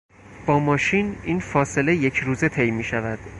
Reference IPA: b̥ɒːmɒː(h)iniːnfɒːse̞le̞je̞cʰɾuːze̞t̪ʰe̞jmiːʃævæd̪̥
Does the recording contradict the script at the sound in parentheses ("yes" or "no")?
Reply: yes